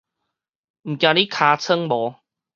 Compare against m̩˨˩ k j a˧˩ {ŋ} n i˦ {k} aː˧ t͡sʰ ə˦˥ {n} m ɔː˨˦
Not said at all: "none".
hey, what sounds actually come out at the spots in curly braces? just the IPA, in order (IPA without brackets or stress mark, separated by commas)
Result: none, kʰ, ŋ